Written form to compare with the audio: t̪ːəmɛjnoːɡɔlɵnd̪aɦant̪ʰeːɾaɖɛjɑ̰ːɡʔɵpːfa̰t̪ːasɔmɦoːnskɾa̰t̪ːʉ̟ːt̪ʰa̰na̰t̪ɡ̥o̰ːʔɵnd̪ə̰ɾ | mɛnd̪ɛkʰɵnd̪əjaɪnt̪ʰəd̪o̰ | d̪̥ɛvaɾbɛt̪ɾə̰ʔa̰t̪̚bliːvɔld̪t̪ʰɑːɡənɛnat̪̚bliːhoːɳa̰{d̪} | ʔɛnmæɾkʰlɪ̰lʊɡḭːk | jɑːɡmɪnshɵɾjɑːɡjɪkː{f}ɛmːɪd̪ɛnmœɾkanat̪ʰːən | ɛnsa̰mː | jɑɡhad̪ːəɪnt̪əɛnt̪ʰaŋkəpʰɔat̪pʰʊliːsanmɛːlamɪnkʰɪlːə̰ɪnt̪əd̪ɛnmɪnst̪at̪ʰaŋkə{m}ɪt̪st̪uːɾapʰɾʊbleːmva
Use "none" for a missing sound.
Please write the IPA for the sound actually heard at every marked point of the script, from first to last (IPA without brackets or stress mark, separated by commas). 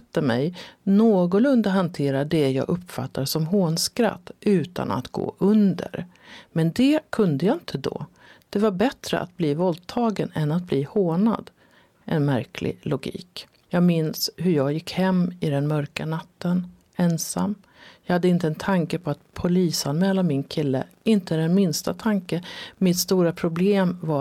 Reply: d̪, h, m